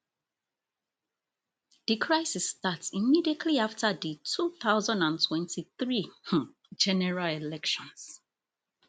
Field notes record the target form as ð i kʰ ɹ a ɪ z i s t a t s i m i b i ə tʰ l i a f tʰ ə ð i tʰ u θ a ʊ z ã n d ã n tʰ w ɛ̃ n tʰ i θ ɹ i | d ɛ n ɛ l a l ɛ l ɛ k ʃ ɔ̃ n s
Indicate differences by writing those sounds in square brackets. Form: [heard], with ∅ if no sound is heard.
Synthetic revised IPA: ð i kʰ ɹ a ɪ [s] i s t a t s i m i [d] i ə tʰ l i a f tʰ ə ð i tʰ u θ a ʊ z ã n d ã n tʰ w ɛ̃ n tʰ i θ ɹ i | [d͡ʒ] ɛ n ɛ [ɹ] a l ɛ l ɛ k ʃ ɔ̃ n s

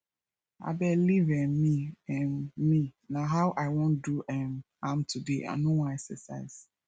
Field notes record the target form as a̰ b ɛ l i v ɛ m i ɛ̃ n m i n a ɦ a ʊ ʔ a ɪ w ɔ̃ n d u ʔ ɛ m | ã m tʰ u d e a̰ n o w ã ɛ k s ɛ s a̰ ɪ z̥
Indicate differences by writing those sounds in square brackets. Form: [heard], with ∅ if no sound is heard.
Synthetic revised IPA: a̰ b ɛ l i v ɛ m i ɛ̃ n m i n a ɦ a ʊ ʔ a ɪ w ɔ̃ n d u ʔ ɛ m | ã m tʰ u d e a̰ n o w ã ɛ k s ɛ s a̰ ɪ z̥

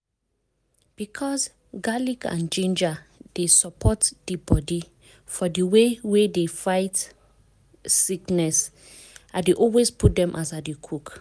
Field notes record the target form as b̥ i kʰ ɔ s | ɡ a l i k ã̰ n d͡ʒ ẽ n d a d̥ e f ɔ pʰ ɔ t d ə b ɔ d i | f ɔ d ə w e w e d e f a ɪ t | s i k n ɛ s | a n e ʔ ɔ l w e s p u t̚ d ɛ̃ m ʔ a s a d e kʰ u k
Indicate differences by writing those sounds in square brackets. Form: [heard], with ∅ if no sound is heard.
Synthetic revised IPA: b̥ i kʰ ɔ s | ɡ a l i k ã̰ n d͡ʒ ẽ n [d͡ʒ] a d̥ e [s] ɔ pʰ ɔ t d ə b ɔ d i | f ɔ d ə w e w e d e f a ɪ t | s i k n ɛ s | a [d] e ʔ ɔ l w e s p u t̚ d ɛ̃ m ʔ a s a d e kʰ u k

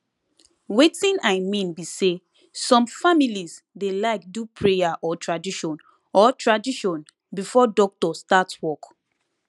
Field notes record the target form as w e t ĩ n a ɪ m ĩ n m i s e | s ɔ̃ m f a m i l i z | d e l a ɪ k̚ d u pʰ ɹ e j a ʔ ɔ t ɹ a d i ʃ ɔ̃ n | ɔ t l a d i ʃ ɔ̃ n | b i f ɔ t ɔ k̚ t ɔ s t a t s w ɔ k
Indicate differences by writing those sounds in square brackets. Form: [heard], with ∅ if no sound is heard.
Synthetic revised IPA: w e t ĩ n a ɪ m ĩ n [b] i s e | s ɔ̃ m f a m i l i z | d e l a ɪ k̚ d u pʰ ɹ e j a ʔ ɔ t ɹ a d i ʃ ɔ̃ n | ɔ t [ɹ] a d i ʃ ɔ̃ n | b i f ɔ [d] ɔ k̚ t ɔ s t a t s w ɔ k

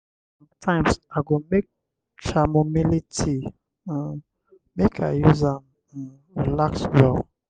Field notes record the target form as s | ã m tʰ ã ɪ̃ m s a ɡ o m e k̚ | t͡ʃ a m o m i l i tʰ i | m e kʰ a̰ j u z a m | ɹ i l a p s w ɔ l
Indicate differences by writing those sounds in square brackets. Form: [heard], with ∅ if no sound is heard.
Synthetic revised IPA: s | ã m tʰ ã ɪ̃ m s a ɡ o m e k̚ | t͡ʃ a m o m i l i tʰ i | m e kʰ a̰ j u z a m | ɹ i l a [k] s w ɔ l

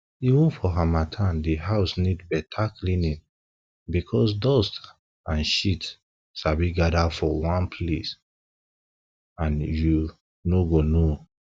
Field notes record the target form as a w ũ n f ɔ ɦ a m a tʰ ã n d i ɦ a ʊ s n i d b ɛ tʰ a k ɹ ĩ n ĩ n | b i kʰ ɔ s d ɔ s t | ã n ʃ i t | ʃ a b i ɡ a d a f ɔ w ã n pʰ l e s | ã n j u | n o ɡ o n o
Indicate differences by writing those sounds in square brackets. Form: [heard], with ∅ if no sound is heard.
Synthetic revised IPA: [i] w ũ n f ɔ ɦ a m a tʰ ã n d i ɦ a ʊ s n i d b ɛ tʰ a k [l] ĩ n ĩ n | b i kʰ ɔ s d ɔ s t | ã n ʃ i t | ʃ a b i ɡ a d a f ɔ w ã n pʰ l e s | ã n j u | n o ɡ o n o

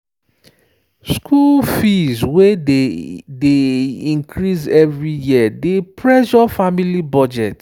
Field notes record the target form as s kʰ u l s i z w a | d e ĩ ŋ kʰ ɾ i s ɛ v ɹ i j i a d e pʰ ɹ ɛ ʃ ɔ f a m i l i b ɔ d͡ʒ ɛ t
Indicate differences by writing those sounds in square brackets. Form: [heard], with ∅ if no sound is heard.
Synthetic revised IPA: s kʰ u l [f] i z w [e] | d e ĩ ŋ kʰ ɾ i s ɛ v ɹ i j i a d e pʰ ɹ ɛ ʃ ɔ f a m i l i b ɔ d͡ʒ ɛ t

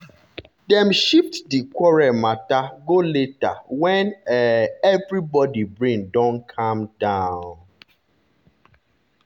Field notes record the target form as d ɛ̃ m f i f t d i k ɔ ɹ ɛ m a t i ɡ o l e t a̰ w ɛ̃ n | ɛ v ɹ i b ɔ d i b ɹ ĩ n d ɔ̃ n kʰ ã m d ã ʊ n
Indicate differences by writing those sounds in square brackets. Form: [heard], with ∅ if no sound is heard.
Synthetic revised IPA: d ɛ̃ m [ʃ] i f t d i k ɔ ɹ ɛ m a t [a] ɡ o l e t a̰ w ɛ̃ n | ɛ v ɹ i b ɔ d i b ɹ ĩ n d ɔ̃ n kʰ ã m d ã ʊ n

